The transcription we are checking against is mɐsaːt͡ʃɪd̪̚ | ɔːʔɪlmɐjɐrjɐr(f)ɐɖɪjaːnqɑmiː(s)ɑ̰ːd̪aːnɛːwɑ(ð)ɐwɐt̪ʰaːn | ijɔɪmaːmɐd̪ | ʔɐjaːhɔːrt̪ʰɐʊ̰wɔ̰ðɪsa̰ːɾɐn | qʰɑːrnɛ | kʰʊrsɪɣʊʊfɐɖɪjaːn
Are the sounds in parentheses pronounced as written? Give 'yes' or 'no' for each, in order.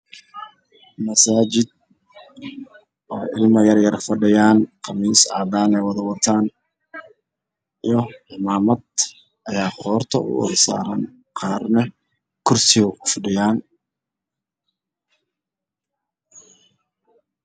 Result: yes, yes, yes

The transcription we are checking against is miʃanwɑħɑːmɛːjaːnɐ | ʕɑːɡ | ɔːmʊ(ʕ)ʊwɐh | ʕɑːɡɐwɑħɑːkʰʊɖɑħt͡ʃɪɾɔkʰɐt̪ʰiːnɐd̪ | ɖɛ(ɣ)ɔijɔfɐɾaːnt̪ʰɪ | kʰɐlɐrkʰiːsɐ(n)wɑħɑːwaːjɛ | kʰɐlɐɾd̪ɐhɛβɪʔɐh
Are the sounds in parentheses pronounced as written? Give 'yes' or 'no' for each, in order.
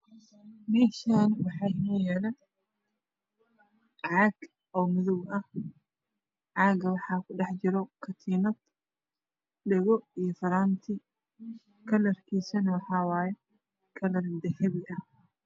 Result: no, yes, yes

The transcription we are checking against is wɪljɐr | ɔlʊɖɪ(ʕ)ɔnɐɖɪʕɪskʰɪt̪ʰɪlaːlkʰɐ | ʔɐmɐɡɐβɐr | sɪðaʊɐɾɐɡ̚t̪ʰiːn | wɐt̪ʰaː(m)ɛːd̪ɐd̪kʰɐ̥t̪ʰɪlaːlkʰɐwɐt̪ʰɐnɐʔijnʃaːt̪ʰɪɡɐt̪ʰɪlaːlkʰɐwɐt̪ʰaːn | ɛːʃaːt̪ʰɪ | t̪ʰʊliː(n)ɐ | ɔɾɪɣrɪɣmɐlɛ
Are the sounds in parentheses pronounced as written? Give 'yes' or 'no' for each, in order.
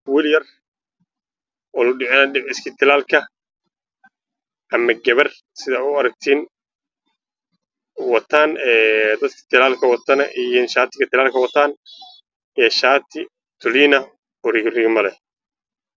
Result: yes, no, yes

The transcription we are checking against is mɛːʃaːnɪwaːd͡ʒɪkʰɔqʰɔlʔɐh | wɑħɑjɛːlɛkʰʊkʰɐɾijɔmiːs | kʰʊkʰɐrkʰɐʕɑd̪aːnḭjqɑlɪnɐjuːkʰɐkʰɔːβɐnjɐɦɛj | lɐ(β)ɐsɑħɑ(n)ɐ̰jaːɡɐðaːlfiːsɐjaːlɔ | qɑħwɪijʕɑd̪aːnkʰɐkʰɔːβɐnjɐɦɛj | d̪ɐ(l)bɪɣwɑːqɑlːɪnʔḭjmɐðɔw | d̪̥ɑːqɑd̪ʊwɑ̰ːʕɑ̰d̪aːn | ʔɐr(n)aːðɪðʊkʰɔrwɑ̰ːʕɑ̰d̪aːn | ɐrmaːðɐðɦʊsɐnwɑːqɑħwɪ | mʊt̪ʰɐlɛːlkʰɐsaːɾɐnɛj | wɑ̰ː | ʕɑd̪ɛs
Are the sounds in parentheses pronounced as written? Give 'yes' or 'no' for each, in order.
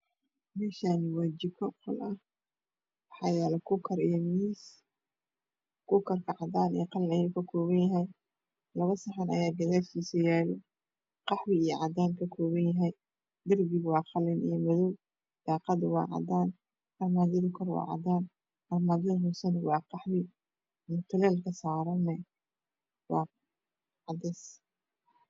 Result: yes, yes, no, no

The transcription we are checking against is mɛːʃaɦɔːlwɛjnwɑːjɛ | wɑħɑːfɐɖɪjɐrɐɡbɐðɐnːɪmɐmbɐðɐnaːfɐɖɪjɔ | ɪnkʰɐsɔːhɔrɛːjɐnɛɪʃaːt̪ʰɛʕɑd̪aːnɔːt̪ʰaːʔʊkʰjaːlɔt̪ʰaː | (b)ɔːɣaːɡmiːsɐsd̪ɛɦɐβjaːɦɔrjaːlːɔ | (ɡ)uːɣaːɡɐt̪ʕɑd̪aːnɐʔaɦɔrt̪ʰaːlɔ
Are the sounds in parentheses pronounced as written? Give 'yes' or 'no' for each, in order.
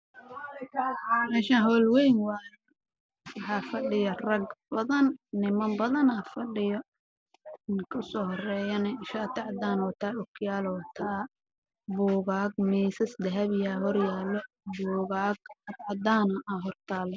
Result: yes, no

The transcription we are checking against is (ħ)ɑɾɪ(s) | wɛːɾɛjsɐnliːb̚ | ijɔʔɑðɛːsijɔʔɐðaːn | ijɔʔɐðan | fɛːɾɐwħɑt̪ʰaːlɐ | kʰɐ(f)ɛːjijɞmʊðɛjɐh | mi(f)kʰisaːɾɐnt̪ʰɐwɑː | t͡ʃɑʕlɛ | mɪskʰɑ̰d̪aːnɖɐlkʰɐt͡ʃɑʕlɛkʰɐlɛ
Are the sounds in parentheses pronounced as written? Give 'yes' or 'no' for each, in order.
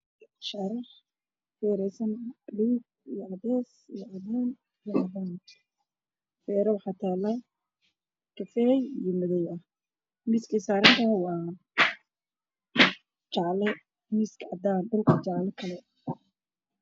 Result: no, no, yes, no

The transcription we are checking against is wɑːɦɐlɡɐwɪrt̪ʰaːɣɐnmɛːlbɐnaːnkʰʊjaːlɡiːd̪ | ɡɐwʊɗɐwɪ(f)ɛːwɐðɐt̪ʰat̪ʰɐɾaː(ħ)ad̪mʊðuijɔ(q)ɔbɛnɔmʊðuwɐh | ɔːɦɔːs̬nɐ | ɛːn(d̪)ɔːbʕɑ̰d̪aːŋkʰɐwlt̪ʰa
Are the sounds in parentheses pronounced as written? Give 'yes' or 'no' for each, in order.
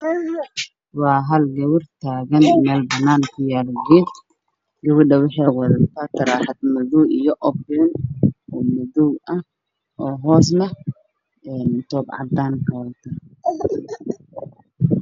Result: no, yes, no, no

